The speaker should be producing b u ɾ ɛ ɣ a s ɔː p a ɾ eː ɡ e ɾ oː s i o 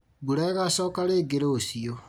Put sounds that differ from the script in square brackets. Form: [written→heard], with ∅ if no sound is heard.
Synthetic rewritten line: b u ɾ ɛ ɣ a s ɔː [p→k] a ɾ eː ɡ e ɾ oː s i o